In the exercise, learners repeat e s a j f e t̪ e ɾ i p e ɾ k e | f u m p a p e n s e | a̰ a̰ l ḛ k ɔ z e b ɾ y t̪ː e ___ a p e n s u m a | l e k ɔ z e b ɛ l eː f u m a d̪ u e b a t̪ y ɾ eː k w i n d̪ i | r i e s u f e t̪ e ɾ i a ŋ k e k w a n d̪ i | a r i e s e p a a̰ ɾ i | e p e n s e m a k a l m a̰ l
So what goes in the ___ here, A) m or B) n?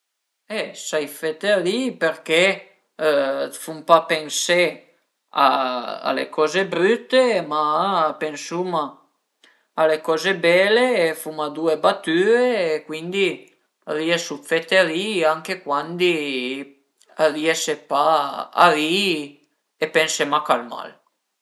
A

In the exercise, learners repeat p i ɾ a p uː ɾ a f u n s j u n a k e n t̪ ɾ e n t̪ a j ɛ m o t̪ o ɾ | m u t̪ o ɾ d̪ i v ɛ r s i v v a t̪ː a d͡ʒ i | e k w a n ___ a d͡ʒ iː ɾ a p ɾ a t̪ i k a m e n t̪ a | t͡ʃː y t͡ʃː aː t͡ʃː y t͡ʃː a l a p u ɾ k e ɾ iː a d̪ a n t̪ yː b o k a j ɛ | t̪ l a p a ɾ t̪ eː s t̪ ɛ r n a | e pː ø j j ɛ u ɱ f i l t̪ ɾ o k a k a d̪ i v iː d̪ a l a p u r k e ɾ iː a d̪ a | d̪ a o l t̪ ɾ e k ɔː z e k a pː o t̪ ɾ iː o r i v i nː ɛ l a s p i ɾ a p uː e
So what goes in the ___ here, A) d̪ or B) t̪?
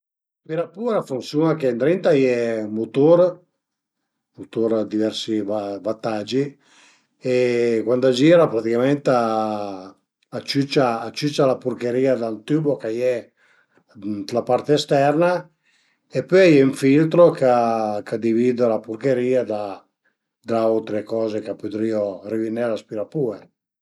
A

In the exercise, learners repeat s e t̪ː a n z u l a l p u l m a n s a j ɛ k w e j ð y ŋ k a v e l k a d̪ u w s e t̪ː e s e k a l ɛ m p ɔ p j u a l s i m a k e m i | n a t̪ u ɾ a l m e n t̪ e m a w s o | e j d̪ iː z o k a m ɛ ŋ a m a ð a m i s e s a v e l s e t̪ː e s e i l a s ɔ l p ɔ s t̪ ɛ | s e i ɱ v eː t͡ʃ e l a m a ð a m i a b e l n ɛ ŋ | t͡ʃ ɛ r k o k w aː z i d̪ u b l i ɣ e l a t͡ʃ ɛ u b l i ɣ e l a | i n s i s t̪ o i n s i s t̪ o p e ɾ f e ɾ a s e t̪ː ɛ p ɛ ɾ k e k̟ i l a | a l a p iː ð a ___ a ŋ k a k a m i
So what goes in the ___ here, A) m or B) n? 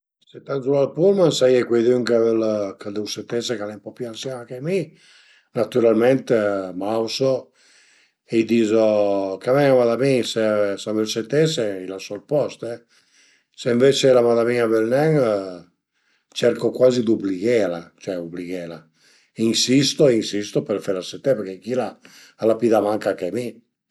A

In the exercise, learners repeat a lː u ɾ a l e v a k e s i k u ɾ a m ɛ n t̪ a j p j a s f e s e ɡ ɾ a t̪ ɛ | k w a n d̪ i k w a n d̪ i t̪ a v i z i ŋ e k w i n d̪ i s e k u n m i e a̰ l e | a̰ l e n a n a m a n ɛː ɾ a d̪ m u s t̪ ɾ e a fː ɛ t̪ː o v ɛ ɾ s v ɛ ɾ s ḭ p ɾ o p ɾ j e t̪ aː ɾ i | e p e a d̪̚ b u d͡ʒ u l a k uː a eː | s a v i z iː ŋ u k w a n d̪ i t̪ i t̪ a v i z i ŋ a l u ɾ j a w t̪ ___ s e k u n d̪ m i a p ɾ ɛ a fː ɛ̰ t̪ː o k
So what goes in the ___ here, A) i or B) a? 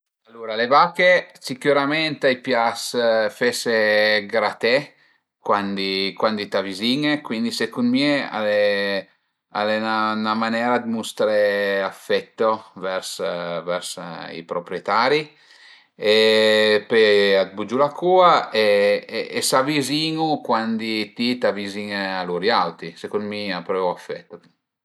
A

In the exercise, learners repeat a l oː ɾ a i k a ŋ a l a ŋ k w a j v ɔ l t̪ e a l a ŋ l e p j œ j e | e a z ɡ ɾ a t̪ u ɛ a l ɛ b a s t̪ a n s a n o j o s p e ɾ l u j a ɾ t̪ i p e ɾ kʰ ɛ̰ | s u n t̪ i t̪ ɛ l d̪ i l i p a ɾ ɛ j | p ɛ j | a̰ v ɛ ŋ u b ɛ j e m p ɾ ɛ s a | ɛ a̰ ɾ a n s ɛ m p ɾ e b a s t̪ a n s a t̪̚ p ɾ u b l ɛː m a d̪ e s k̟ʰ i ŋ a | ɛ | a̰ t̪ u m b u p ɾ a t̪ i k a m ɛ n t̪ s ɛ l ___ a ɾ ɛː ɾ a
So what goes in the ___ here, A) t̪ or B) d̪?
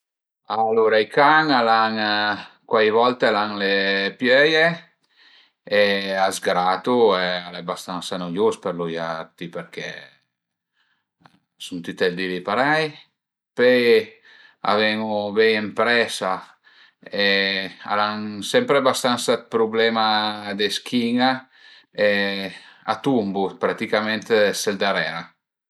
B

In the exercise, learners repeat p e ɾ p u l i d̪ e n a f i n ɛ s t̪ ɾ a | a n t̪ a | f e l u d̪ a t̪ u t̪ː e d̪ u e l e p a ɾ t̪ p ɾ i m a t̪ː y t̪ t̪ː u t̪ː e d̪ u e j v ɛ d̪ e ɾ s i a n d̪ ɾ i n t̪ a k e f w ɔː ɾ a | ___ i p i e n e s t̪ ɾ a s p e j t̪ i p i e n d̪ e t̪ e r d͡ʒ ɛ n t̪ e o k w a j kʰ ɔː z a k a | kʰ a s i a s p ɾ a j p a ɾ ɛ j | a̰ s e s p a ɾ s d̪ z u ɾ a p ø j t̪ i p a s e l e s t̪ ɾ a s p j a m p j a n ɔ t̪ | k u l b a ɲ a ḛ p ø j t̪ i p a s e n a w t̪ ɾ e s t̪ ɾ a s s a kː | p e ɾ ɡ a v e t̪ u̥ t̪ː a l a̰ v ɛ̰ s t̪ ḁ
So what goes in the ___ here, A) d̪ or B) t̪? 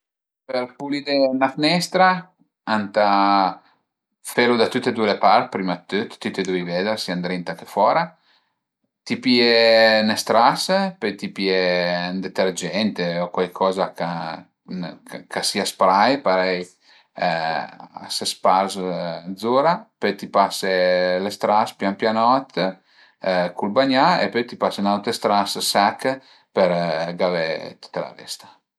B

